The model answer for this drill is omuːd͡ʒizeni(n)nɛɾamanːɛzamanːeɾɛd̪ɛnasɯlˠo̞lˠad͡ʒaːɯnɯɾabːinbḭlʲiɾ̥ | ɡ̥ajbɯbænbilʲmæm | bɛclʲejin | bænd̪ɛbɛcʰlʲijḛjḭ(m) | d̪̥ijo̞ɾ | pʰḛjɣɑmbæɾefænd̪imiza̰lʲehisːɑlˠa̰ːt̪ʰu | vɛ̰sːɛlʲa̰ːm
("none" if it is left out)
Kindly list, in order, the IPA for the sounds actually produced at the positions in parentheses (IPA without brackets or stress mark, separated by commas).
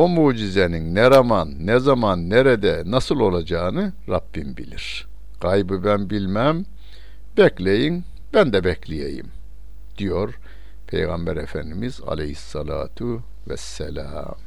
n, m